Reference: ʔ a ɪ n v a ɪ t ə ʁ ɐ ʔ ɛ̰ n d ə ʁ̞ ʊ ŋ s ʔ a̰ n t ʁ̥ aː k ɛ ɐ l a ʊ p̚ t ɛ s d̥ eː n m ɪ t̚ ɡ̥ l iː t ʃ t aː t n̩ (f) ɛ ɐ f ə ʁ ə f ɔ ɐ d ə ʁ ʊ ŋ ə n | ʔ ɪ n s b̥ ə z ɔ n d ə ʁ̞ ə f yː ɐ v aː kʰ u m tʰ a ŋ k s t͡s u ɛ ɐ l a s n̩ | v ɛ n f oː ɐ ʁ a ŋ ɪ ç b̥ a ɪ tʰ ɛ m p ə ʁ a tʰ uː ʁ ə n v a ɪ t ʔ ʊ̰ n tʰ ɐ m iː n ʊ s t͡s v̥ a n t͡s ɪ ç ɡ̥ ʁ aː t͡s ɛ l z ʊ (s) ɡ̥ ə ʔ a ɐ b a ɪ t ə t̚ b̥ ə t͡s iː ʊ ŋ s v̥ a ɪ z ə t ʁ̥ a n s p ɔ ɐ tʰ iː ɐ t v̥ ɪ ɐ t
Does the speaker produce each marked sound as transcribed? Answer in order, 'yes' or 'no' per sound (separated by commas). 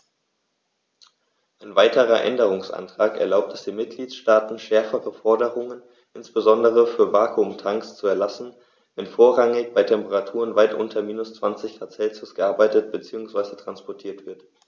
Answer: no, yes